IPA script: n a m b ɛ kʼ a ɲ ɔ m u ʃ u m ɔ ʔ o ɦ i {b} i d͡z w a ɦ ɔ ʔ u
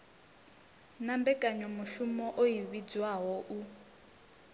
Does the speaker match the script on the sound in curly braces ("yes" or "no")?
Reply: no